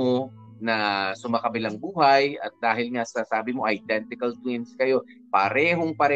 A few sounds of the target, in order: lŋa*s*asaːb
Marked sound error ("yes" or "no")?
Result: no